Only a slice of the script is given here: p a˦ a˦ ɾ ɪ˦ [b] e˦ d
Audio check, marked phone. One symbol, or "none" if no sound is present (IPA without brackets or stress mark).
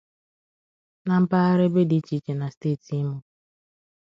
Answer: b